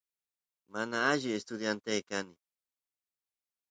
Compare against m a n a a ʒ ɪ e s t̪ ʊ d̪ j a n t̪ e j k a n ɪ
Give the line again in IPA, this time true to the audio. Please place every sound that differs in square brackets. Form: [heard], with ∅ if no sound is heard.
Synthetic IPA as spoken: m a n a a ʒ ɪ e s t̪ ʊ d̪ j a n t̪ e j k a n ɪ